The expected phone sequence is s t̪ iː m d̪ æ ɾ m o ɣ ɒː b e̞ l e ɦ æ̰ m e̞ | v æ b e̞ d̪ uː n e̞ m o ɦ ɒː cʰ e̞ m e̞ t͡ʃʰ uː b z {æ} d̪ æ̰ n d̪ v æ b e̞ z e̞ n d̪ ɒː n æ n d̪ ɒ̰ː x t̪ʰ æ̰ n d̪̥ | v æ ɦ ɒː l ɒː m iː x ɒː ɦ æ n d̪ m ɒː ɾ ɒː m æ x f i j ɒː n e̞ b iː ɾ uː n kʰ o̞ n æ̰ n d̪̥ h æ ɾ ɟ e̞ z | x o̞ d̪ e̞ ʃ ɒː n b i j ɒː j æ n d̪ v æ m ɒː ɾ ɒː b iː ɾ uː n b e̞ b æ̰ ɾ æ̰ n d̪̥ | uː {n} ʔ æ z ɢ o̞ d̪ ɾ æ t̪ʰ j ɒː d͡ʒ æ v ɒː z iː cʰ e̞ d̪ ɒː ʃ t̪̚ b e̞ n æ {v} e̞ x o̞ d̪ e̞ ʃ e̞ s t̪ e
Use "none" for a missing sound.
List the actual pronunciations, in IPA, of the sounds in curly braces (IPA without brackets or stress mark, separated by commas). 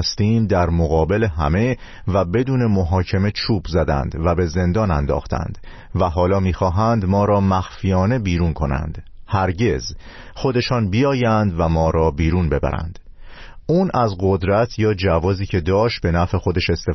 æ, n, f